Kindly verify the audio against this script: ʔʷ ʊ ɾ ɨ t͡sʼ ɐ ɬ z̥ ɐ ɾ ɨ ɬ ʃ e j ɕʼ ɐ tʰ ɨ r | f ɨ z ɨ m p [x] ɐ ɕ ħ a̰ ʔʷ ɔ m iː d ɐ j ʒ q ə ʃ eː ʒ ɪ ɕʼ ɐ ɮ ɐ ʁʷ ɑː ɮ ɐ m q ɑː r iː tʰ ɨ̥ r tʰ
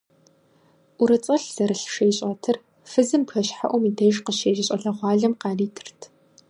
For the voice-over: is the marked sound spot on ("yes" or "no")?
yes